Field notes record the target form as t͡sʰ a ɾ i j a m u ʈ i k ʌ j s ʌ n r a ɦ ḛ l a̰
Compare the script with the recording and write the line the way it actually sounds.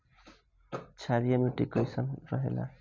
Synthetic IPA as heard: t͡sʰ a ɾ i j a m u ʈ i k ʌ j s ʌ n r ʌ ɦ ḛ l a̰